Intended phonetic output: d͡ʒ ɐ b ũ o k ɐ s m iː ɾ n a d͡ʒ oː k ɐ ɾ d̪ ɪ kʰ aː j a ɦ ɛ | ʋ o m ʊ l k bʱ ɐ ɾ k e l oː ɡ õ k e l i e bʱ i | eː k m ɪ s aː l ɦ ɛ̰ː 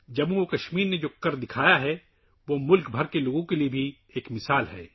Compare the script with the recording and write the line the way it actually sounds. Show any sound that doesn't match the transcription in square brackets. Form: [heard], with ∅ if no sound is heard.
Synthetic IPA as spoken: d͡ʒ ɐ b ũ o k ɐ [ʃ] m iː ɾ n [e] d͡ʒ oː k ɐ ɾ d̪ ɪ kʰ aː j a ɦ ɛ | ʋ o m ʊ l k bʱ ɐ ɾ k e l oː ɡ õ k e l i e bʱ i | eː k m ɪ s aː l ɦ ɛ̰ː